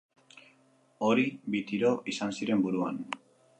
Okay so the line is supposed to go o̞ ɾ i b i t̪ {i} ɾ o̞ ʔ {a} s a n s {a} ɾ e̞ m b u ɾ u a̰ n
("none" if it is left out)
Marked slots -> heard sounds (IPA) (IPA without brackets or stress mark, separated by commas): i, i, i